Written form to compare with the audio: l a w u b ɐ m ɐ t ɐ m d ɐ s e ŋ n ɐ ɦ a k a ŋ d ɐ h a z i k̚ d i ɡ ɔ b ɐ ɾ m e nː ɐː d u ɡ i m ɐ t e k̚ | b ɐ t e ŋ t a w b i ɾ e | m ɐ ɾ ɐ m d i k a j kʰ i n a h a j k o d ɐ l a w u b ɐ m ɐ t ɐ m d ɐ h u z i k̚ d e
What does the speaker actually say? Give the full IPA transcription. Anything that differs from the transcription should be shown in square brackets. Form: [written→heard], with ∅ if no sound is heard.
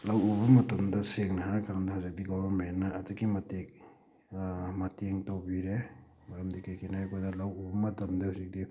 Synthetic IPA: l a w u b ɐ m ɐ t ɐ m d ɐ s e ŋ n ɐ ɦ a k a ŋ d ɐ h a z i k̚ d i ɡ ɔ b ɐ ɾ m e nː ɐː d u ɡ i m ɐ t e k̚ | [b→m] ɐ t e ŋ t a w b i ɾ e | m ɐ ɾ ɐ m d i k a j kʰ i n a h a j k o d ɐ l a w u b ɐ m ɐ t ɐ m d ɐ h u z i k̚ d [e→i]